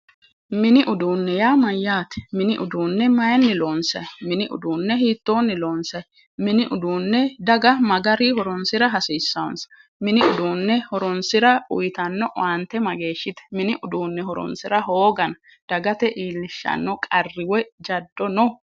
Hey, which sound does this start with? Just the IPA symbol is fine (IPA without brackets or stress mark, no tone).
m